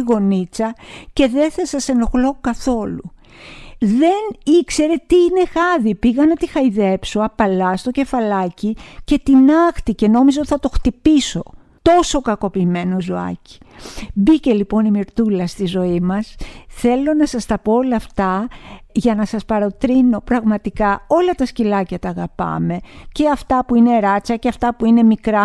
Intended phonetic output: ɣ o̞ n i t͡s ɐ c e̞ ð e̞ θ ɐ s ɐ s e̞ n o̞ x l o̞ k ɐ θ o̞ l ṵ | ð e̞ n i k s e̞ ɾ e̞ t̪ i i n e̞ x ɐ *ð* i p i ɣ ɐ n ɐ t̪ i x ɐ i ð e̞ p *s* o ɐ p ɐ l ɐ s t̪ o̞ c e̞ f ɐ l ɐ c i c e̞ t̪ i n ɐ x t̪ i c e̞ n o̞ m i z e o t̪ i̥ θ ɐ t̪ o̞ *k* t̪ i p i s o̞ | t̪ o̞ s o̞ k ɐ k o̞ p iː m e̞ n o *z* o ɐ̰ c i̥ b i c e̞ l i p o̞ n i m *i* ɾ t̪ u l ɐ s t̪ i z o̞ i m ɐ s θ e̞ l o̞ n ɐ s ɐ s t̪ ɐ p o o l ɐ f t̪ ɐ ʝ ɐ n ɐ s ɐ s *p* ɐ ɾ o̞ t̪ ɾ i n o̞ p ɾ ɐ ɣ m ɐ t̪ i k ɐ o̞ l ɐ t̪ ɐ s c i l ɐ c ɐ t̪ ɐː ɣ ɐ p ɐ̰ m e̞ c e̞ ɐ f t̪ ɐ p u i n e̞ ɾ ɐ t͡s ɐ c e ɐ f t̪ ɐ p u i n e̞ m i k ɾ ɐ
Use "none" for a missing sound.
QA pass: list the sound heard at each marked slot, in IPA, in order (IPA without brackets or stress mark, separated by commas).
ð, s, x, z, i, p